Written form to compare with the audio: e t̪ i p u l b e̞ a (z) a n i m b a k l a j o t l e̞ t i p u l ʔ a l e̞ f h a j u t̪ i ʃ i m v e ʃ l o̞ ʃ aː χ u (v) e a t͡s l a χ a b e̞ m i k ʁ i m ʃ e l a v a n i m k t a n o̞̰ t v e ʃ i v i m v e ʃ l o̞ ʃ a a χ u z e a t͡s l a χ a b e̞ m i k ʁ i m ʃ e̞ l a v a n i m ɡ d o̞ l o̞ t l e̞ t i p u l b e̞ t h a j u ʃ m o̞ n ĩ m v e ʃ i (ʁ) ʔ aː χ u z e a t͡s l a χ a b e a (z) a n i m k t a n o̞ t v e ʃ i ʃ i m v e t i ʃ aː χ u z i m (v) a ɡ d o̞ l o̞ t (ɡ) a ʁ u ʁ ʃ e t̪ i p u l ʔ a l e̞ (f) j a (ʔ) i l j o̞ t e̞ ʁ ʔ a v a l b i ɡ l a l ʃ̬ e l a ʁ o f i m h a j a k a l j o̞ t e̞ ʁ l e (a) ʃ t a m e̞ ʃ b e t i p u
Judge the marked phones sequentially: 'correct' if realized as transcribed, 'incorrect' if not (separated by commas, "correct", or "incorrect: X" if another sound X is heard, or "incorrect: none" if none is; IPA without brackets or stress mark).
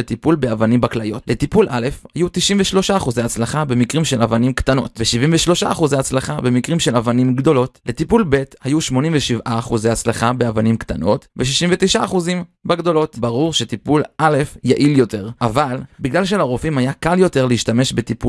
incorrect: v, incorrect: z, incorrect: v, incorrect: v, incorrect: b, incorrect: b, correct, correct, incorrect: i